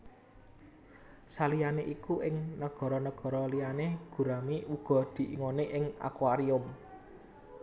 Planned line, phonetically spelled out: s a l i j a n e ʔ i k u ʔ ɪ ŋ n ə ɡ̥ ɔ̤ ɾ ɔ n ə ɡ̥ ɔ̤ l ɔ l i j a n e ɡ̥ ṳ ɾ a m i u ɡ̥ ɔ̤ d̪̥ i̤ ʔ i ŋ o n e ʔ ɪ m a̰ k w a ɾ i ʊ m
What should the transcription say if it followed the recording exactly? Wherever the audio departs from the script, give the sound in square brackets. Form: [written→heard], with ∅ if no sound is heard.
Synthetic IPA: s a l i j a n e ʔ i k u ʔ ɪ ŋ n ə ɡ̥ ɔ̤ ɾ ɔ n ə ɡ̥ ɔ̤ [l→ɾ] ɔ l i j a n e ɡ̥ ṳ ɾ a m i u ɡ̥ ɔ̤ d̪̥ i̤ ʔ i ŋ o n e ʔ ɪ [m→ŋ] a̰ k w a ɾ i ʊ m